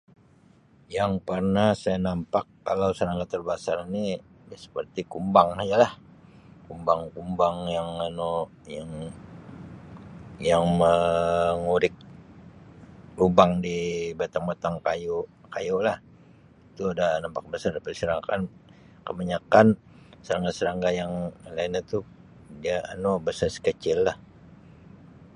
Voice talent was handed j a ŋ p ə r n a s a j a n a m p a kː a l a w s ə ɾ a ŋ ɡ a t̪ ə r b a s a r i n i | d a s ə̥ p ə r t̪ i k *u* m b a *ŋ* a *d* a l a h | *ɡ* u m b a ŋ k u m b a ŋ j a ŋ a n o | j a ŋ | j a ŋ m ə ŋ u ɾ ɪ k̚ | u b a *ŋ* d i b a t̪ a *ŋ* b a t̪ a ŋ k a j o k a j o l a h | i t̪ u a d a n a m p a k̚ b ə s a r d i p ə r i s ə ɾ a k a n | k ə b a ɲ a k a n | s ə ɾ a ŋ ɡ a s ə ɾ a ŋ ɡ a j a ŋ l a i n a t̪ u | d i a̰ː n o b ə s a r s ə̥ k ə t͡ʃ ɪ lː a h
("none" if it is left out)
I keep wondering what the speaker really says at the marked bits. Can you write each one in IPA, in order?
u, ŋ, d͡ʒ, k, ŋ, ŋ

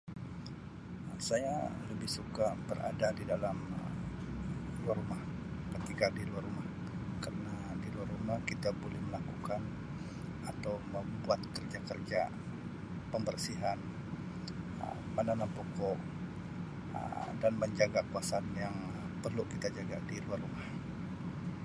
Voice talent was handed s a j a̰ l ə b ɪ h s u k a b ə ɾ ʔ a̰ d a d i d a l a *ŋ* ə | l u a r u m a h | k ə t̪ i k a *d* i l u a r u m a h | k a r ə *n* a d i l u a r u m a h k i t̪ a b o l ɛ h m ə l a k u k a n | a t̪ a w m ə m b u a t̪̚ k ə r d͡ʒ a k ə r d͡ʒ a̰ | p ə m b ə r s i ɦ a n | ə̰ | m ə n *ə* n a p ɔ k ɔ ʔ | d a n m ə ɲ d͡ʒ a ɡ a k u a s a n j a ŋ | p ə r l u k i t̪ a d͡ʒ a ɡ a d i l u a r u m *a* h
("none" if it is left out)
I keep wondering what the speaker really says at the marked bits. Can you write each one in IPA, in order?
m, d, n, a, a

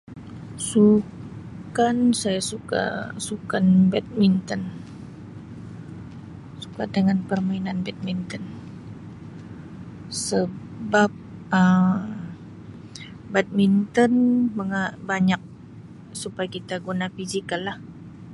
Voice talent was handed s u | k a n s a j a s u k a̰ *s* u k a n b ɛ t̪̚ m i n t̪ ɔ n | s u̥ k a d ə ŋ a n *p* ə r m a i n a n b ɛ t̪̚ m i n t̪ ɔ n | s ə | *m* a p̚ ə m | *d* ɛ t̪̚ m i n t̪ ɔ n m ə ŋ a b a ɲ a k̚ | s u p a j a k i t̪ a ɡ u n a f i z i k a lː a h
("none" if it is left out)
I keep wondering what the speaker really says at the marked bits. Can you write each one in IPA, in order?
s, p, b, b

